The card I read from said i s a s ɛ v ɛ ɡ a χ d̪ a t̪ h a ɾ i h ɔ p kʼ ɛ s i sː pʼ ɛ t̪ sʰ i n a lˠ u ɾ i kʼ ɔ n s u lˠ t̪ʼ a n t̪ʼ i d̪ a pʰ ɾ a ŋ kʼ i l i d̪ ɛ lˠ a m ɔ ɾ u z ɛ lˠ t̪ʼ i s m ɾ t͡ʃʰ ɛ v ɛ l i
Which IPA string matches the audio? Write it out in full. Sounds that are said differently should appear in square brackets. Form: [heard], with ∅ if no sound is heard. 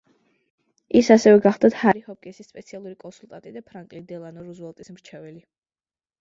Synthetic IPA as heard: i s a s ɛ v ɛ ɡ a χ d̪ a t̪ h a ɾ i h ɔ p kʼ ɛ s i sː pʼ ɛ t̪ sʰ i [∅] a lˠ u ɾ i kʼ ɔ n s u lˠ t̪ʼ a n t̪ʼ i d̪ a pʰ ɾ a ŋ kʼ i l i d̪ ɛ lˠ a [n] ɔ ɾ u z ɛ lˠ t̪ʼ i s m ɾ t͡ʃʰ ɛ v ɛ l i